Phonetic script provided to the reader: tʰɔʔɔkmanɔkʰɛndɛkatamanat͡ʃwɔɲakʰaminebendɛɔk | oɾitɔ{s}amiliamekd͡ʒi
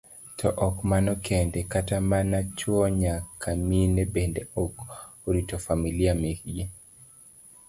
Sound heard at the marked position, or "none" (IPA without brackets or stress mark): f